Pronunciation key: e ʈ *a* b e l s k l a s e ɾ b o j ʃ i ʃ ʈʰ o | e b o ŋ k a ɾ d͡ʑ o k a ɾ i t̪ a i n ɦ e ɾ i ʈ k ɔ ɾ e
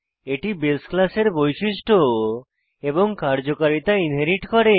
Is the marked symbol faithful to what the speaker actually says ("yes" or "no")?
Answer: no